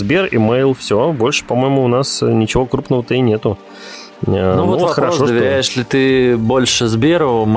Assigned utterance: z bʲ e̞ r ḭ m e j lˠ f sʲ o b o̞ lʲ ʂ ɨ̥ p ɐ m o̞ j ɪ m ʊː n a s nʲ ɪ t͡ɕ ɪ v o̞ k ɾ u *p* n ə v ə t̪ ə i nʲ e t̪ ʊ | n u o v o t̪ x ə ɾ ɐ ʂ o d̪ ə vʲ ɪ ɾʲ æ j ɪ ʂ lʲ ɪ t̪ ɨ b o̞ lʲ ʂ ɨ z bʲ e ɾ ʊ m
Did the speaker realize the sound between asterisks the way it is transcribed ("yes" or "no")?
yes